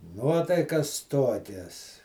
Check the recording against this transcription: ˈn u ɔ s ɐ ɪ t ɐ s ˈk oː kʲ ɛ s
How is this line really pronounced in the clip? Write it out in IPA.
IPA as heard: ˈn u ɔ t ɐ ɪ k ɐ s ˈt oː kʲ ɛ s